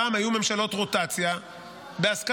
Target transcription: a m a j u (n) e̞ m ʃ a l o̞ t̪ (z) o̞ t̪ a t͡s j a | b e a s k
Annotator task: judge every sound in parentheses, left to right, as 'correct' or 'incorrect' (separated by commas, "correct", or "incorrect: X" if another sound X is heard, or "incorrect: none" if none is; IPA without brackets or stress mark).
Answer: incorrect: m, incorrect: ʁ